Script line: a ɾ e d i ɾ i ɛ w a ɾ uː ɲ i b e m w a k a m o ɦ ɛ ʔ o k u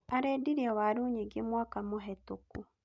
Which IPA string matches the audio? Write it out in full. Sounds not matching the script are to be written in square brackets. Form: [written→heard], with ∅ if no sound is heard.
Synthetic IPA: a ɾ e d i ɾ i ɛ w a ɾ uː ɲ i [b→ɡ] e m w a k a m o ɦ ɛ [ʔ→t] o k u